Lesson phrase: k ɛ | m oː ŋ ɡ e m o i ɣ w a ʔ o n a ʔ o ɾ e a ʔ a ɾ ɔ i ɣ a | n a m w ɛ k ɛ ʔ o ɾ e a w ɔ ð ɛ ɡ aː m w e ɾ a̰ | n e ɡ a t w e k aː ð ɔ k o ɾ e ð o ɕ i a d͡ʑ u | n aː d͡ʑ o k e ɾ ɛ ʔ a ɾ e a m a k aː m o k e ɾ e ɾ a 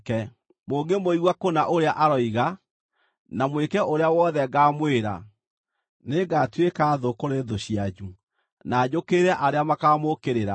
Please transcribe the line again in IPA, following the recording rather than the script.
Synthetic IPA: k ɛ | m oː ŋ ɡ e m o i ɣ w a k o n a ʔ o ɾ e a ʔ a ɾ ɔ i ɣ a | n a m w e k ɛ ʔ o ɾ e a w ɔ ð ɛ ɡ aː m w e ɾ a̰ | n e ɡ a t w e k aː ð o k o ɾ e ð o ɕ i a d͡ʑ u | n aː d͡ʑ o k e ɾ ɛ ʔ a ɾ e a m a k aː m o k e ɾ e ɾ a